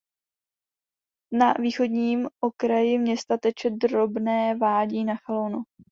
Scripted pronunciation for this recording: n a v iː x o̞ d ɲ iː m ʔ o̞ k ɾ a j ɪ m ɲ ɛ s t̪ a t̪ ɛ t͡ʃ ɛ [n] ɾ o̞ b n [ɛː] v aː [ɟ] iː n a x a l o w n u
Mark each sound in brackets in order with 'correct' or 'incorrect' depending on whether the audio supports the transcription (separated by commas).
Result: incorrect, correct, correct